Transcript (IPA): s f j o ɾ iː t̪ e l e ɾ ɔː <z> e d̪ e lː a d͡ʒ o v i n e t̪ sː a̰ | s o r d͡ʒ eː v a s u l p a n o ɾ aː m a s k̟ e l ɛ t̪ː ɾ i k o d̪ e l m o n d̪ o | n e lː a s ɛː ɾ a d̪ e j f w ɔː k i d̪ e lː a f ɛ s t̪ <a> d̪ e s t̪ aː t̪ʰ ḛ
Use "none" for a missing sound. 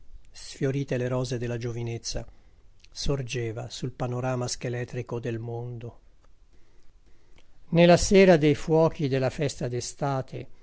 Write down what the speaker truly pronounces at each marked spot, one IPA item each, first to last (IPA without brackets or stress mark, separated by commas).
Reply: z, a